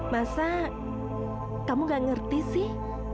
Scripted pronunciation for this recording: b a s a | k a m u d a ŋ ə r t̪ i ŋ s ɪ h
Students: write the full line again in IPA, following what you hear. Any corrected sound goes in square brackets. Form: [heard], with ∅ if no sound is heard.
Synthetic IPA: [m] a s a | k a m u [ɡ] a ŋ ə r t̪ i [∅] s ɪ h